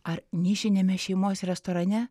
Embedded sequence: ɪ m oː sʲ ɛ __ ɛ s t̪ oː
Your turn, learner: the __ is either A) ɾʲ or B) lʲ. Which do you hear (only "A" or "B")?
A